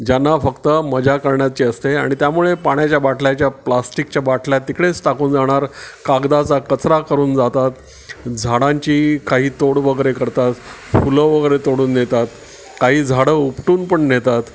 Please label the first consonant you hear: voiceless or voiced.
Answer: voiced